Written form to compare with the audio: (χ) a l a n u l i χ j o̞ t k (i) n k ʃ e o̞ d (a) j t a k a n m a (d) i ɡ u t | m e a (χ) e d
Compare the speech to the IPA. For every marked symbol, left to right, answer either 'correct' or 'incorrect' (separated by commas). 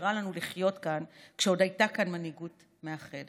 incorrect, incorrect, correct, incorrect, correct